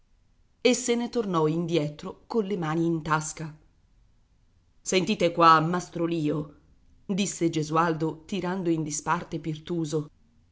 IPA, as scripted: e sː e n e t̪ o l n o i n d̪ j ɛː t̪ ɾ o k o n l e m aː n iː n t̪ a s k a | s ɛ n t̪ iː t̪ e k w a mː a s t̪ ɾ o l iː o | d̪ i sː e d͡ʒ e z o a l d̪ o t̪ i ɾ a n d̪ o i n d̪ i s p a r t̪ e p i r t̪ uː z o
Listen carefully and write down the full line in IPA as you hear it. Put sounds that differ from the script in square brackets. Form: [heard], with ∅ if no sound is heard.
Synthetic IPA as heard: e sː e n e t̪ o [r] n [ɔ] i n d̪ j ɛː t̪ ɾ o k o n l e m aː n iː n t̪ a s k a | s [e] n t̪ iː t̪ e k w a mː a s t̪ ɾ o l iː o | d̪ i sː e d͡ʒ e z [u] a l d̪ o t̪ i ɾ a n d̪ o i n d̪ i s p a r t̪ e p i r t̪ uː z o